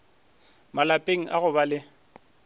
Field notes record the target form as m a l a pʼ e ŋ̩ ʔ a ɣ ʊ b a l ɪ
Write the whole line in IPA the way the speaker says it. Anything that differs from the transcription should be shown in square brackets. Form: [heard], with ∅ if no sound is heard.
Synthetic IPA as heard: m a l a pʼ e ŋ̩ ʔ a ɣ ʊ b a l ɪ